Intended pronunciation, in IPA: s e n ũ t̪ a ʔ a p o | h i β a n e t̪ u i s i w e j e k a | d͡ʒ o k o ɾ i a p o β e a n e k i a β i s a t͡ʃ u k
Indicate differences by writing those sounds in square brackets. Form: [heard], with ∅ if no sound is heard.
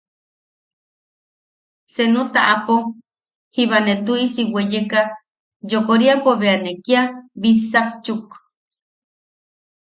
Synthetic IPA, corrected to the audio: s e n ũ t̪ a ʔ a p o | h i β a n e t̪ u i s i w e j e k a | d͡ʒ o k o ɾ i a p o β e a n e k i a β i s a t͡ʃ u k